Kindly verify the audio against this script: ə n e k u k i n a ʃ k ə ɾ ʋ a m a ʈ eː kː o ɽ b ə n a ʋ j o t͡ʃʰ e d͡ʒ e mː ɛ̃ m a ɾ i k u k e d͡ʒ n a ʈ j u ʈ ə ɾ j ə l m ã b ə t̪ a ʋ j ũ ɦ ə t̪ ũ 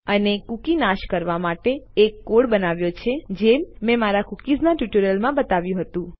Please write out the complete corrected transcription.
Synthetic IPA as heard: ə n e k u k i n a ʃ k ə ɾ ʋ a m a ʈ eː kː o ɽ b ə n a ʋ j o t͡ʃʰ e d͡ʒ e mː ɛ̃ m a ɾ a k u k i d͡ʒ n a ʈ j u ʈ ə ɾ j ə l m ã b ə t̪ a ʋ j ũ ɦ ə t̪ ũ